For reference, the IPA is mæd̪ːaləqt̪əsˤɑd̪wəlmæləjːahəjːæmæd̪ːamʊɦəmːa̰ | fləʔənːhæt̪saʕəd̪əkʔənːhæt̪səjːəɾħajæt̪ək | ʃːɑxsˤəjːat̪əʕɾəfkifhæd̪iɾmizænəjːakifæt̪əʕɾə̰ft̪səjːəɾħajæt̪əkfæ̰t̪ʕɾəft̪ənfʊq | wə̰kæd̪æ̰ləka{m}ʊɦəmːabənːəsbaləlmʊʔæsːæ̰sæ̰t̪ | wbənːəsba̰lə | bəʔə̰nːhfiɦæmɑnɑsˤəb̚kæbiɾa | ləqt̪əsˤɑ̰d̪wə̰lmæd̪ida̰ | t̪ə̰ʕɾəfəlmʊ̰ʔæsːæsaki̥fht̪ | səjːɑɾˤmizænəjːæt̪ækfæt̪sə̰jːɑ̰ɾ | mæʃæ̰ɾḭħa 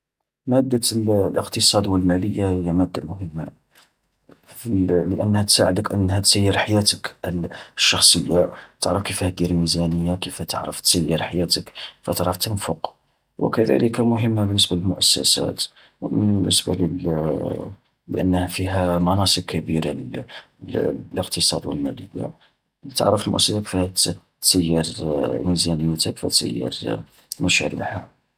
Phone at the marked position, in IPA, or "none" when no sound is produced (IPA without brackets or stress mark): m